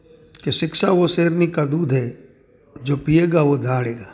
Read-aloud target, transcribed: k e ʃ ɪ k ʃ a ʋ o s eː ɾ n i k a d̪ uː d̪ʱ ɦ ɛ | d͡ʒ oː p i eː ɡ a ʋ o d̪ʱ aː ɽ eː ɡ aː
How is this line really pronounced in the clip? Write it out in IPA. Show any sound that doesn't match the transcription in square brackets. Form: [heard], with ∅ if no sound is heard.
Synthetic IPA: k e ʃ ɪ k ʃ a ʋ o s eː ɾ n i k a d̪ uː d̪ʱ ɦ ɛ | d͡ʒ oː p i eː ɡ a ʋ o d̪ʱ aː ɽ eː ɡ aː